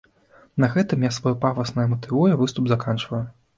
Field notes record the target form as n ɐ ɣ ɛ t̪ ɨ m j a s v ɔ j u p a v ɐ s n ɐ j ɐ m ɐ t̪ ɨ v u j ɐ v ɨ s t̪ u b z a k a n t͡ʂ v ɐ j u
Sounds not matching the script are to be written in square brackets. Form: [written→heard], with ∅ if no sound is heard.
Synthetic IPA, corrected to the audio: n ɐ ɣ ɛ t̪ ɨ m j a s v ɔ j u p a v ɐ s n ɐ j ɐ m ɐ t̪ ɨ v u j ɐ v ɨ s t̪ u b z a k a n t͡ʂ v ɐ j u